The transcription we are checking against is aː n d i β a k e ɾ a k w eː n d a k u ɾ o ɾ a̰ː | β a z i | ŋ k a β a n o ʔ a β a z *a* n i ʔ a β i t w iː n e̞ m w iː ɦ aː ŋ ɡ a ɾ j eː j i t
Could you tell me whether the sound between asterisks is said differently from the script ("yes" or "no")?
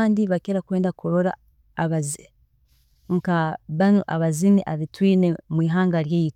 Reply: yes